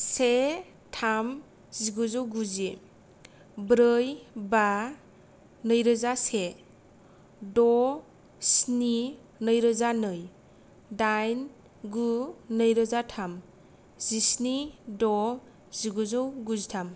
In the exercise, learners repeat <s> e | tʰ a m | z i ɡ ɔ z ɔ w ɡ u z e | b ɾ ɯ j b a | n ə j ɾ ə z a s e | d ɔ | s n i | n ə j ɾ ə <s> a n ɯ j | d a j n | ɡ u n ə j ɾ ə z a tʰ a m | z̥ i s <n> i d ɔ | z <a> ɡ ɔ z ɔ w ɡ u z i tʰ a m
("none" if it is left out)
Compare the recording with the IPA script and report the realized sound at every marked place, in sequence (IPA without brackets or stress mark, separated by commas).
s, z, n, i